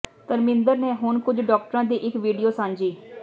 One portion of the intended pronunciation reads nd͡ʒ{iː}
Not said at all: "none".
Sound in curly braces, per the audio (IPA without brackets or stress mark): iː